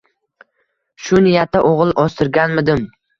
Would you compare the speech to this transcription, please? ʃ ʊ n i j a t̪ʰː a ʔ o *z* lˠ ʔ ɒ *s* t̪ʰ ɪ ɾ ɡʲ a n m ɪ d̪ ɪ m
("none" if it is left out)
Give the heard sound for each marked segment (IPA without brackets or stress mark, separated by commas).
ʁ, s